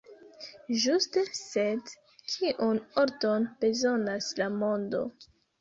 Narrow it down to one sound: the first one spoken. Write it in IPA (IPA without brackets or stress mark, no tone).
ʒ